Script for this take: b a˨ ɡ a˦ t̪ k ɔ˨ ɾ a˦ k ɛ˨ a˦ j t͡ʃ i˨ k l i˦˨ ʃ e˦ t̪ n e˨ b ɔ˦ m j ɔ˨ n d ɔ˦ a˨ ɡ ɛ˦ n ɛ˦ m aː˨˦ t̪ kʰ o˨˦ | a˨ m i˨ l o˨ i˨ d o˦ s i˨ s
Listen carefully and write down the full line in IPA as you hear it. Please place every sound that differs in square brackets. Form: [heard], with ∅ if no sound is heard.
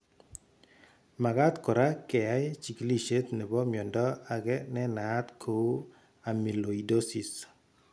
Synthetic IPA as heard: [m] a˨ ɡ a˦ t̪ k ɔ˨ ɾ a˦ k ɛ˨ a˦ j t͡ʃ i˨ k l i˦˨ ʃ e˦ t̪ n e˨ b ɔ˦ m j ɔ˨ n d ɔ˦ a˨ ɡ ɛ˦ n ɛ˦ [n] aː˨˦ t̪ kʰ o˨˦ | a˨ m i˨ l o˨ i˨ d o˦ s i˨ s

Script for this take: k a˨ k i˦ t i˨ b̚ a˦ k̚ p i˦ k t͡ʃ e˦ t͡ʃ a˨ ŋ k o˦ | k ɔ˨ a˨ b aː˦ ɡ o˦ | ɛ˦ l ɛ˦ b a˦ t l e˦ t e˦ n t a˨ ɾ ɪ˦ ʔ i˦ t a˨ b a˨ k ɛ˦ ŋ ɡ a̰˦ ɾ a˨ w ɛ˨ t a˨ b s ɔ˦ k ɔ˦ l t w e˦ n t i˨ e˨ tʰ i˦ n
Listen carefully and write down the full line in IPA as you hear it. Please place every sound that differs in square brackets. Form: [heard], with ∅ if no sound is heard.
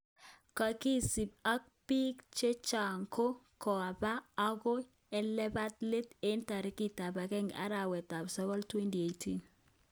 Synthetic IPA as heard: k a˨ k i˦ [s] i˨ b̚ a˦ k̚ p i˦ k t͡ʃ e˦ t͡ʃ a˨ ŋ k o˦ | k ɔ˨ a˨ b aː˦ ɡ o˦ | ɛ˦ l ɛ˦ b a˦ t l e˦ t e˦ n t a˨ ɾ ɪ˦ [k] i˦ t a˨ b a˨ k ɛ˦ ŋ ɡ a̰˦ ɾ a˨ w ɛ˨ t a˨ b s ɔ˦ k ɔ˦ l t w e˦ n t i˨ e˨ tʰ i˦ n

